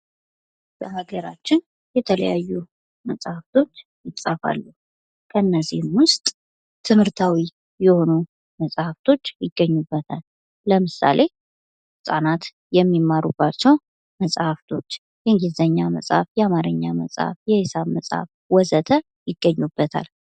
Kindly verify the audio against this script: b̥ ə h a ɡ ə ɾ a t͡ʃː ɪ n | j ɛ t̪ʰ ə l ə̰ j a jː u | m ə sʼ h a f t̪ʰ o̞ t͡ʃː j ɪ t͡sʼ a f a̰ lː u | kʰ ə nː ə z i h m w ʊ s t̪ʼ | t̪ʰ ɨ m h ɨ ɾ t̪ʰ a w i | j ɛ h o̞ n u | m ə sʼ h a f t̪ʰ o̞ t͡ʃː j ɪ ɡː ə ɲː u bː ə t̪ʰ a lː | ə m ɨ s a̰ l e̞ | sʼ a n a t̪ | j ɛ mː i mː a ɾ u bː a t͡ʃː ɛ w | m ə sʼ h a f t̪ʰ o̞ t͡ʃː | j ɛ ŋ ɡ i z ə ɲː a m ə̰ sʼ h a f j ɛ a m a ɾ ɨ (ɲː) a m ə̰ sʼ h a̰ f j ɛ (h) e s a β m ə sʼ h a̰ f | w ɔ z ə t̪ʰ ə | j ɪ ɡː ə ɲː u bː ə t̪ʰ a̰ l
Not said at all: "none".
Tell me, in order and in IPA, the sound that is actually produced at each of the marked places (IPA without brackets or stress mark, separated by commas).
ɲː, h